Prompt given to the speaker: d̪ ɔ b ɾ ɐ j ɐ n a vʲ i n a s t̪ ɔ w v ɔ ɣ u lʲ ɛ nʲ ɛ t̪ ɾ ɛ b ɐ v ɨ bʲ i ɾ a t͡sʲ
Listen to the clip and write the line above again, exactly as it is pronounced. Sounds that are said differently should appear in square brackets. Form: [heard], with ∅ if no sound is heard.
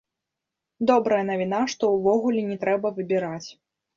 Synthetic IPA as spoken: d̪ ɔ b ɾ ɐ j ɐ n [ɐ] vʲ i n a [ʂ] t̪ ɔ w v ɔ ɣ u lʲ ɛ nʲ ɛ t̪ ɾ ɛ b ɐ v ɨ bʲ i ɾ a t͡sʲ